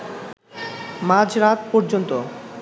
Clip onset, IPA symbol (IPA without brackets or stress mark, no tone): m